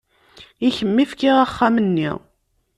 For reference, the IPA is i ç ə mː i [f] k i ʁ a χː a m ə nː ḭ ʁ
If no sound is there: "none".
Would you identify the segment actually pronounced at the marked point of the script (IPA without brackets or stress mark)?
f